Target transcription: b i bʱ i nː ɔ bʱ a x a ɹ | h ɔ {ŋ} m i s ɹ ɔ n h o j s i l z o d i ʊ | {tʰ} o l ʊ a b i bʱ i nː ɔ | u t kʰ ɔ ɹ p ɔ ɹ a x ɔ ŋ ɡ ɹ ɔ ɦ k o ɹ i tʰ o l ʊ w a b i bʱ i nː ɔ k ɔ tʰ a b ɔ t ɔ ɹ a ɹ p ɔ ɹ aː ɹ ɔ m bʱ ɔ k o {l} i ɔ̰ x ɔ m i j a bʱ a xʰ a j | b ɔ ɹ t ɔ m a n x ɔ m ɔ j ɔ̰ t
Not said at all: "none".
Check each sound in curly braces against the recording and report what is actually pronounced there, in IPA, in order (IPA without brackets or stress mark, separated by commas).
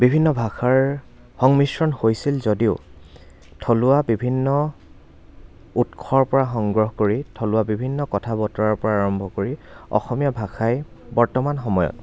ŋ, tʰ, ɹ